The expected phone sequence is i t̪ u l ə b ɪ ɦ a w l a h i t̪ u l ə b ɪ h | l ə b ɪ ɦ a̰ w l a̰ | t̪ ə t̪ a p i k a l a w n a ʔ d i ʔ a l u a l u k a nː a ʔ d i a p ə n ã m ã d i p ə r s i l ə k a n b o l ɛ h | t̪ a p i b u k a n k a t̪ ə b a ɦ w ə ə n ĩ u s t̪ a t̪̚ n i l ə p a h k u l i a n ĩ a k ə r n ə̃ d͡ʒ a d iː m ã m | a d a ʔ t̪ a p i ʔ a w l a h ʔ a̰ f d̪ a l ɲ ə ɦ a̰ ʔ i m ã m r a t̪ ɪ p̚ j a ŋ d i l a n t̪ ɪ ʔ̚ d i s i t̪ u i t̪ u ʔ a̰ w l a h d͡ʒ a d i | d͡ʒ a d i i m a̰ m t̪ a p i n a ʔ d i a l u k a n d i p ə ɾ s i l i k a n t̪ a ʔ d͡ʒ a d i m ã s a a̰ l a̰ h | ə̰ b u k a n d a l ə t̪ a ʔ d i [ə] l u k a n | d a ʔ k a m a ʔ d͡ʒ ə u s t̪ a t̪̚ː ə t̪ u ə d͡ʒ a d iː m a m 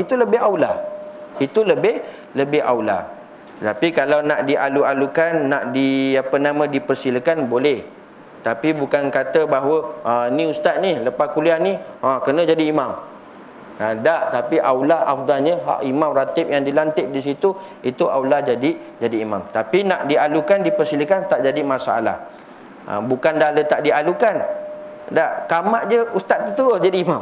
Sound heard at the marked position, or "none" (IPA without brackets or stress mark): a